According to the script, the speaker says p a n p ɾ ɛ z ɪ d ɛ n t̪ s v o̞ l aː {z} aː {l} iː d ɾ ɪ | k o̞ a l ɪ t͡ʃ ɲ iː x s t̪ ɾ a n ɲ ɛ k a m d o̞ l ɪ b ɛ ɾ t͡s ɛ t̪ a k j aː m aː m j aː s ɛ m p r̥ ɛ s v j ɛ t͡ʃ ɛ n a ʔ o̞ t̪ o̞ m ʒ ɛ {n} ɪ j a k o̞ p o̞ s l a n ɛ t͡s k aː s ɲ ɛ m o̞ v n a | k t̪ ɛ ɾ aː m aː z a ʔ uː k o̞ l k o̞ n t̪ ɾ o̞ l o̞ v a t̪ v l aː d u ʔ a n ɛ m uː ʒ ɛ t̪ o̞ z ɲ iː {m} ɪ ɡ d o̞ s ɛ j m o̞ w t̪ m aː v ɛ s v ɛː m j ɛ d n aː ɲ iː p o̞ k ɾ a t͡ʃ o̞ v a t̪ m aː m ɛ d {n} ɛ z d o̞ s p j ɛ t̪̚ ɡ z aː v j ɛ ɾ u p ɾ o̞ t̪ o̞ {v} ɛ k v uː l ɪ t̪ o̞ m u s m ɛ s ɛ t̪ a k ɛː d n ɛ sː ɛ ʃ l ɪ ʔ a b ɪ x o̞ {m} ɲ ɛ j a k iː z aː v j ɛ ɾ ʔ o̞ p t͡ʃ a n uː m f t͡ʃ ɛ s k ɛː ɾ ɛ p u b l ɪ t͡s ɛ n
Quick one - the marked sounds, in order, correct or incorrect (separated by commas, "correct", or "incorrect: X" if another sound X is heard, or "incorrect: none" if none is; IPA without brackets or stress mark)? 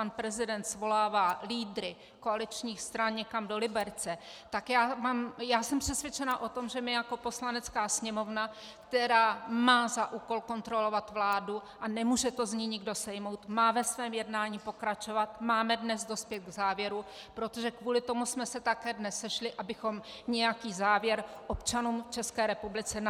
incorrect: v, correct, incorrect: m, incorrect: ɲ, correct, incorrect: ʒ, correct